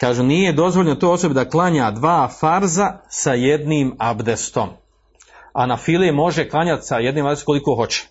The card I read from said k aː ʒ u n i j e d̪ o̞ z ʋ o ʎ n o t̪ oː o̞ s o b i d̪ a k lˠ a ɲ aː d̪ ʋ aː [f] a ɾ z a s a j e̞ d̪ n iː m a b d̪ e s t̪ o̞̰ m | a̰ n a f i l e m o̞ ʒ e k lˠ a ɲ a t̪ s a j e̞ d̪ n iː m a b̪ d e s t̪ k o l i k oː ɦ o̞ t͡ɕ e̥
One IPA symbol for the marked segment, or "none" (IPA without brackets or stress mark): f